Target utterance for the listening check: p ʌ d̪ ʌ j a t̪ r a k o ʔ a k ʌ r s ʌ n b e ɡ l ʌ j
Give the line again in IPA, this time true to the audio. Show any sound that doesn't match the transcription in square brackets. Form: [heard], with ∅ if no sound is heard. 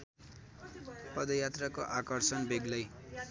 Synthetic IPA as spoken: p ʌ d̪ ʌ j a t̪ r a k o ʔ a k ʌ r s ʌ n b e ɡ l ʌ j